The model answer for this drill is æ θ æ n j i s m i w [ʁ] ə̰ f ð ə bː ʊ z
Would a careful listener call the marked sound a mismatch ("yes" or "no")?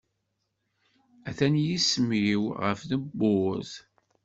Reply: no